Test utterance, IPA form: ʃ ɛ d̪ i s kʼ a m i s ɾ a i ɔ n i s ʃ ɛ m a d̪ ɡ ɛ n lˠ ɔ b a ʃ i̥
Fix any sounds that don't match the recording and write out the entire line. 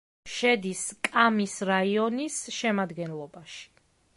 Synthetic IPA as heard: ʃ ɛ d̪ i s kʼ a m i s ɾ a i ɔ n i s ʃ ɛ m a d̪ ɡ ɛ n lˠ ɔ b a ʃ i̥